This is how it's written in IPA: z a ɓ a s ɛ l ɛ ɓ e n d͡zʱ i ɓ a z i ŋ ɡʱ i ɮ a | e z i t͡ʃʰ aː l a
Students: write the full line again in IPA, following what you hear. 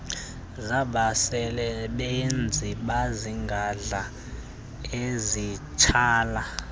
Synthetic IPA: z a ɓ a s ɛ l ɛ ɓ e n d͡zʱ i ɓ a z i ŋ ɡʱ a ɮ a | e z i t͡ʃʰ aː l a